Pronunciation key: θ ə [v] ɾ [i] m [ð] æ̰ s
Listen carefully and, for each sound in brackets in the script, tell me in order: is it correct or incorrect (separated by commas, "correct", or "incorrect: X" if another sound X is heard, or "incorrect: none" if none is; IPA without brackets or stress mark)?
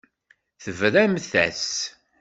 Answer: correct, incorrect: æ, incorrect: θ